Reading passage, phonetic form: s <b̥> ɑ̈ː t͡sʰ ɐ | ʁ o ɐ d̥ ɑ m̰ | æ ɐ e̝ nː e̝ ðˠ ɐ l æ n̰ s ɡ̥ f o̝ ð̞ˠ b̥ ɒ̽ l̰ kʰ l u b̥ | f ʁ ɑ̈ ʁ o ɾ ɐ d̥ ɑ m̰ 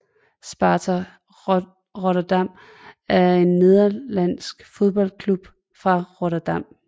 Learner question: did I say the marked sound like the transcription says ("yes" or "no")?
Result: yes